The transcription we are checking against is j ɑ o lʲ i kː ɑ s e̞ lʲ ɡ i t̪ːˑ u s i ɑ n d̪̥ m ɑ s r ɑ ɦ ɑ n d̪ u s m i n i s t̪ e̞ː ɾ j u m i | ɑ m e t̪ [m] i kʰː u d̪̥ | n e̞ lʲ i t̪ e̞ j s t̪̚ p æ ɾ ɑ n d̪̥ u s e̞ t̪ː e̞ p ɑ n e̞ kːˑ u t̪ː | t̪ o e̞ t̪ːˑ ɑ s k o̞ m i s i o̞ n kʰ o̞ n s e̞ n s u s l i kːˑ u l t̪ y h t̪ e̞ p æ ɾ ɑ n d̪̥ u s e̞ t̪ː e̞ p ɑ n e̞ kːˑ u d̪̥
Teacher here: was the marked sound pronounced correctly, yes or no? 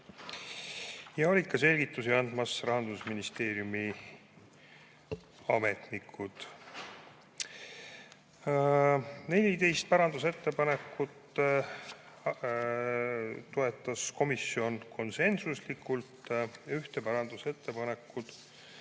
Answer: no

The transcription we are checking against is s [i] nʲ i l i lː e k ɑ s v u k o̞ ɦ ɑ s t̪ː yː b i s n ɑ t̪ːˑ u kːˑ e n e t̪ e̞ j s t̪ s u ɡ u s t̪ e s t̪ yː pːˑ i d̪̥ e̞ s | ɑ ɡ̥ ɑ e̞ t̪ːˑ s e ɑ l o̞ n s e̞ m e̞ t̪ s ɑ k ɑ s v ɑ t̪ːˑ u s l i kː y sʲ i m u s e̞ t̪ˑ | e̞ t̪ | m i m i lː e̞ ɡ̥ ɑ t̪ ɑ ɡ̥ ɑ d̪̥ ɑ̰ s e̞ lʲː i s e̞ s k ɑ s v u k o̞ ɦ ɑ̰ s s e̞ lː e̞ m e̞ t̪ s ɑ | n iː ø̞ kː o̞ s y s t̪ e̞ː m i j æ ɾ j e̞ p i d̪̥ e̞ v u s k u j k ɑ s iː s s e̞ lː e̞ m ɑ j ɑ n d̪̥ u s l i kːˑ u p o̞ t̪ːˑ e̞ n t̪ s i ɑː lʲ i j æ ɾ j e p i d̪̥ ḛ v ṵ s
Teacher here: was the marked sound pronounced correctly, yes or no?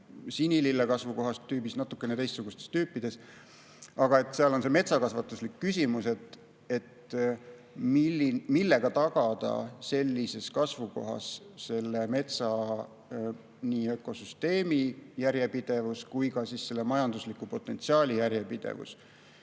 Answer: yes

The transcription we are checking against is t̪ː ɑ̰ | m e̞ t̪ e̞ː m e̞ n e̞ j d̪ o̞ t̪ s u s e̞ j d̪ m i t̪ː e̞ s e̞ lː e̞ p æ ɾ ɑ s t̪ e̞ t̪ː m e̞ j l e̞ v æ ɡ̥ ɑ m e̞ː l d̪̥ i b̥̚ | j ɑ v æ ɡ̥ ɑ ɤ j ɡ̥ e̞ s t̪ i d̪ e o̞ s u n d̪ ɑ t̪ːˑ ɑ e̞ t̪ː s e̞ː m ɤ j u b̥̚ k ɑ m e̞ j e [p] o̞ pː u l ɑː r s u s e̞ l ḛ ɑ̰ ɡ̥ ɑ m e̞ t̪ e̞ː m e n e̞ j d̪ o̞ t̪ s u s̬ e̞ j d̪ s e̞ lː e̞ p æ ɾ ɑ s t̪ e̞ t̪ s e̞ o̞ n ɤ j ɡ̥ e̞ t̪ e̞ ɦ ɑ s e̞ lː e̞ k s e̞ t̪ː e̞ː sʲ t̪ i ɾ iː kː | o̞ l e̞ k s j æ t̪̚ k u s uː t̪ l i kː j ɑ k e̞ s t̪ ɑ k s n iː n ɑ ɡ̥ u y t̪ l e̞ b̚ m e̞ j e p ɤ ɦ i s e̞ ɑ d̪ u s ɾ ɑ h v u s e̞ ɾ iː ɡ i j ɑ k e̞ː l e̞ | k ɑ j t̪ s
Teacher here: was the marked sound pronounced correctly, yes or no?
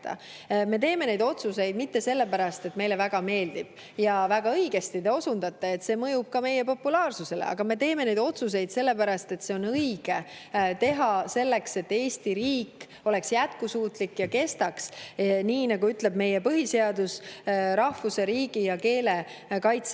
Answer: yes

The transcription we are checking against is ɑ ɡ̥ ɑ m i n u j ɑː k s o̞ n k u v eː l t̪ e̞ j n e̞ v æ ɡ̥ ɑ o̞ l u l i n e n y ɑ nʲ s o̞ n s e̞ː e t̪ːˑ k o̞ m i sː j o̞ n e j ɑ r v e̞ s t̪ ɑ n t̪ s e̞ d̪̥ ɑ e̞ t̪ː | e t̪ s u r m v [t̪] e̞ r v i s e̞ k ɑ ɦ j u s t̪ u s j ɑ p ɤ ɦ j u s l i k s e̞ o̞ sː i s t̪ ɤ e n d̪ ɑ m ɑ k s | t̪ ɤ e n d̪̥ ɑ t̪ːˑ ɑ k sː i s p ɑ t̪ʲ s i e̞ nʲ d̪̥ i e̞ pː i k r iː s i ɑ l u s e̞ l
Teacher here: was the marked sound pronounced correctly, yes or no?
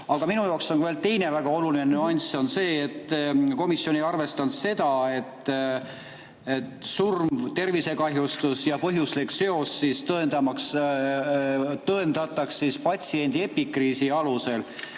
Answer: yes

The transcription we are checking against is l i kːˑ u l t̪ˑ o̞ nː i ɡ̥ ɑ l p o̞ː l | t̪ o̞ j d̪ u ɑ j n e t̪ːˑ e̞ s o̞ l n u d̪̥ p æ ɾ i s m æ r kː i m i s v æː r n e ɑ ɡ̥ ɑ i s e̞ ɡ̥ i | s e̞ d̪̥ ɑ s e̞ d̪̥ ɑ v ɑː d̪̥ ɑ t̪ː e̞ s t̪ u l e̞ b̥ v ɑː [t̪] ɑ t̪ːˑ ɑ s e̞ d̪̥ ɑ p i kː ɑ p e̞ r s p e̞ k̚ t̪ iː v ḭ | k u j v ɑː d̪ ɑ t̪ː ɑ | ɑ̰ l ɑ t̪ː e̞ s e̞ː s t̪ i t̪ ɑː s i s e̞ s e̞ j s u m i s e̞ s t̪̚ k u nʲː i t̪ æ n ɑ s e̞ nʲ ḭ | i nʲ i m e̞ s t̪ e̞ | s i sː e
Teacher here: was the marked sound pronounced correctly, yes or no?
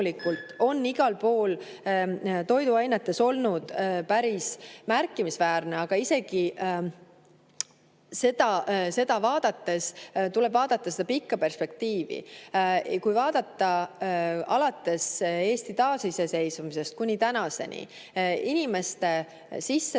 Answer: no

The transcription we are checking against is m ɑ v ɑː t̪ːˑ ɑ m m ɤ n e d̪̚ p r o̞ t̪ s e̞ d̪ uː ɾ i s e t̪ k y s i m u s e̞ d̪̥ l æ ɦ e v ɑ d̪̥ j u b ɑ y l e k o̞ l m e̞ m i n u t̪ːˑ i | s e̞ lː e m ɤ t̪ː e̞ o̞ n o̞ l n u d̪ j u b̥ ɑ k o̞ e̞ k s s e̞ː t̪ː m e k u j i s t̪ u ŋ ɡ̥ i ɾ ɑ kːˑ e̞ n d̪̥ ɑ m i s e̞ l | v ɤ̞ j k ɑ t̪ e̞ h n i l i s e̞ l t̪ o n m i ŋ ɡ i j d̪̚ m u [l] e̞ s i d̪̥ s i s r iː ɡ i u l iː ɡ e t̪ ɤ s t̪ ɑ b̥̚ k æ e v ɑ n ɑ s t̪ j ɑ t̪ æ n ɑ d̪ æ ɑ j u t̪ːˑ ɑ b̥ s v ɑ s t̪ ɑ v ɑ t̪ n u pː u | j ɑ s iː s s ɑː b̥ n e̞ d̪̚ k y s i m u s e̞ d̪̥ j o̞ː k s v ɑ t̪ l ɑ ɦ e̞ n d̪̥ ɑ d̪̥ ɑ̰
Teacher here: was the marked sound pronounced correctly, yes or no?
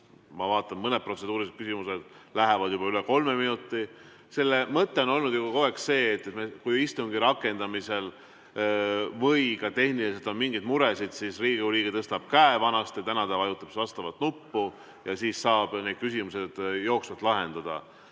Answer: no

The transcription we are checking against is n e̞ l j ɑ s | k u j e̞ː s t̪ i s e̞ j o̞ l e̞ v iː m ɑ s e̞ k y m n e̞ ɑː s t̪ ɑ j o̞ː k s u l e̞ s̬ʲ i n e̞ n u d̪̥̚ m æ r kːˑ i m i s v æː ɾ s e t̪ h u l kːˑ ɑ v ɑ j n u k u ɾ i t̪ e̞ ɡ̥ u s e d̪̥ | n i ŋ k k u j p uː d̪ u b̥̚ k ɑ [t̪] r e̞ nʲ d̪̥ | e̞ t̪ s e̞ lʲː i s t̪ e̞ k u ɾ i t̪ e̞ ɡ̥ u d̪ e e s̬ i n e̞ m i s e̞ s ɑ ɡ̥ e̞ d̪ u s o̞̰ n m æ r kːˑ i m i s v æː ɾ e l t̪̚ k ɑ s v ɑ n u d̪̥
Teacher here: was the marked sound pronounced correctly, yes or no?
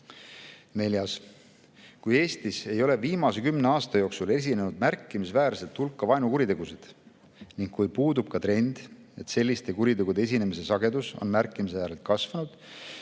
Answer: yes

